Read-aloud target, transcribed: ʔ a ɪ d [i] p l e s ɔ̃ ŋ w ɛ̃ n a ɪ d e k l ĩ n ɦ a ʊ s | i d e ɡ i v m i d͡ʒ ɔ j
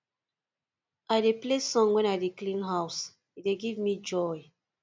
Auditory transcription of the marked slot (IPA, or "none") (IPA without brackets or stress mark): e